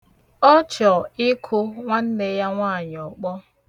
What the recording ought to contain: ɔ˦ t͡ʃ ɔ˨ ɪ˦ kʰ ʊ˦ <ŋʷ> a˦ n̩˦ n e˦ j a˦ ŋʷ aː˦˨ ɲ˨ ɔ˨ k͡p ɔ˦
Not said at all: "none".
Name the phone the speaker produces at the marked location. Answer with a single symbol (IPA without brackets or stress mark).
ŋʷ